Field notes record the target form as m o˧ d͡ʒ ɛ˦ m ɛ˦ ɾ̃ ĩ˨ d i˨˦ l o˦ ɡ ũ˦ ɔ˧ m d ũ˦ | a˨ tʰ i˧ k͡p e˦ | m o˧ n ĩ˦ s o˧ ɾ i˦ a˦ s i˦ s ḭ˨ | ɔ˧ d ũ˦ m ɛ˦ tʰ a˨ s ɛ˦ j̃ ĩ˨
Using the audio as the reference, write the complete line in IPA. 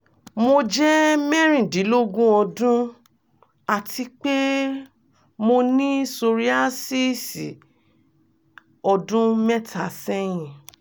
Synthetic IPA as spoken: m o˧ d͡ʒ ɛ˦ m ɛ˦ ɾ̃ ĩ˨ d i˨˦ l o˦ ɡ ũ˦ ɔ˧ d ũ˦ | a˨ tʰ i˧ k͡p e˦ | m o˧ n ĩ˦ s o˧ ɾ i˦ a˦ s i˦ s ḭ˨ | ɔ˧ d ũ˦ m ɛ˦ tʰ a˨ s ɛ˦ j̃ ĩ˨